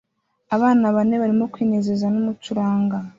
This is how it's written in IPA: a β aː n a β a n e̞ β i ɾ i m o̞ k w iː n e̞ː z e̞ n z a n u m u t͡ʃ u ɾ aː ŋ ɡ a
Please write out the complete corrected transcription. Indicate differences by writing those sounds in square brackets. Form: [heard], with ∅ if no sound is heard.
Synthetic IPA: a β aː n a β a n e̞ β [a] ɾ i m o̞ k w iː n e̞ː z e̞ [∅] z a n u m u t͡ʃ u ɾ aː ŋ ɡ a